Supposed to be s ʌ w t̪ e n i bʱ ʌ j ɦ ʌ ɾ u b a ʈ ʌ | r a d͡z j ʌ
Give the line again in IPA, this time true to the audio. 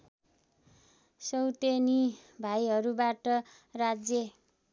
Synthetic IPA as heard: s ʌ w t̪ e n i bʱ a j ɦ ʌ ɾ u b a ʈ ʌ | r a d͡z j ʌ